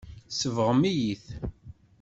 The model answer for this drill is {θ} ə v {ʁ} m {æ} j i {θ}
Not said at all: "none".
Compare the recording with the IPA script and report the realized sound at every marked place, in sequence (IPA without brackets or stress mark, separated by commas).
s, ʁ, i, θ